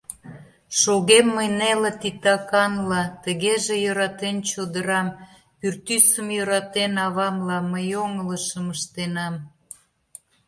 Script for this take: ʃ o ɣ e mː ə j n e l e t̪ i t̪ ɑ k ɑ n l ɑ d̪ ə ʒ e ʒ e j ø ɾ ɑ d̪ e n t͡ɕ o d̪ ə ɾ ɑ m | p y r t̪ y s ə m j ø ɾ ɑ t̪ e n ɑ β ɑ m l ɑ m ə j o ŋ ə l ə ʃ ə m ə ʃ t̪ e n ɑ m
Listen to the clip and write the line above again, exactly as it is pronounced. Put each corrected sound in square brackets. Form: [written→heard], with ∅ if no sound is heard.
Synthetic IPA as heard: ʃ o ɣ e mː ə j n e l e t̪ i t̪ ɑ k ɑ n l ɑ [d̪→t̪] ə [ʒ→ɣ] e ʒ e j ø ɾ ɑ [d̪→t̪] e n t͡ɕ o d̪ ə ɾ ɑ m | p y r t̪ y s ə m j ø ɾ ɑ t̪ e n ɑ β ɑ m l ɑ m ə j o ŋ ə l ə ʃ ə m ə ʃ t̪ e n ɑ m